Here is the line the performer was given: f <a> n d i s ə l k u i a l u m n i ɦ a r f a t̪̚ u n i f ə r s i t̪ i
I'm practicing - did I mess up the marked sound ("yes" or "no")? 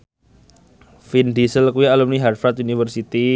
yes